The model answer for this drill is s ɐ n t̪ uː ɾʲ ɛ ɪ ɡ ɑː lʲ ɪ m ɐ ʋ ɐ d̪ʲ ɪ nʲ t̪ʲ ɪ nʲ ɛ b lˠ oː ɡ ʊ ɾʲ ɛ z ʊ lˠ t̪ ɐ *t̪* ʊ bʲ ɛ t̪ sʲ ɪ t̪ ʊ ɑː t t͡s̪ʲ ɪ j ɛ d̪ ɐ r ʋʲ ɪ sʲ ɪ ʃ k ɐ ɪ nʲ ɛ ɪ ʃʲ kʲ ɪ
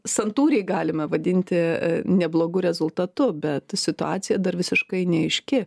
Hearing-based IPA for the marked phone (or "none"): t̪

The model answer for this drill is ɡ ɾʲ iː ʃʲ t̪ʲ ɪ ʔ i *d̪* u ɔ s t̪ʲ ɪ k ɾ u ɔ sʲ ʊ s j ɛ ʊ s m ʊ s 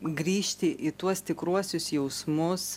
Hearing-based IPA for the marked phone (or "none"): t̪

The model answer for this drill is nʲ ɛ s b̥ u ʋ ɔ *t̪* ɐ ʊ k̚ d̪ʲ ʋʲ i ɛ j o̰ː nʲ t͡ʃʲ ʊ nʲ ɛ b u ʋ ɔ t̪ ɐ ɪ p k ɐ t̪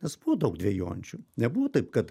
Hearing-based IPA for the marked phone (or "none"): d̪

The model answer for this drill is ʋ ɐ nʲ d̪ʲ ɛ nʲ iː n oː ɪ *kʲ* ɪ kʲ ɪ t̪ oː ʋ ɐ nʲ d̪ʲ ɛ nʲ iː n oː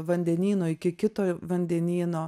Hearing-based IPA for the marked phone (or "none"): kʲ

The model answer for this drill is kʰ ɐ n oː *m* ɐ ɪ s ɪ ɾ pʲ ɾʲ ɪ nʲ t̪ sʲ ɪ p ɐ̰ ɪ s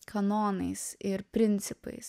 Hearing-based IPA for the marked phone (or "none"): n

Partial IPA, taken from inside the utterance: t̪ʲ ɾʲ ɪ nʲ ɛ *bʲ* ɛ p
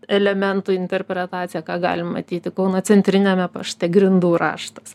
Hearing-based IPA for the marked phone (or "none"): mʲ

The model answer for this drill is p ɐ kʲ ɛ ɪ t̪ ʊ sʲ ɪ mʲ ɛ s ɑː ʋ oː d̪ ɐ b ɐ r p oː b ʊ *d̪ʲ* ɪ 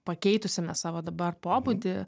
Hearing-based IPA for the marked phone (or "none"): d̪ʲ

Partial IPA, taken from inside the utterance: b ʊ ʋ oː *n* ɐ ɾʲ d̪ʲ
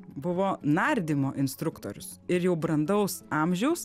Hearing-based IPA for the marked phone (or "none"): n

